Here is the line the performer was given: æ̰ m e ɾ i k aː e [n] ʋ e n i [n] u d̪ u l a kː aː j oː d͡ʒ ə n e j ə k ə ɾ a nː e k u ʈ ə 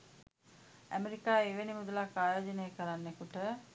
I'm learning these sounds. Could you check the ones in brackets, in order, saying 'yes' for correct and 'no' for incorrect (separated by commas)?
no, no